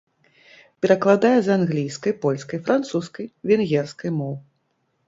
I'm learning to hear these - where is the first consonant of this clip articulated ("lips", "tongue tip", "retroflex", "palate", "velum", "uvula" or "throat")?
lips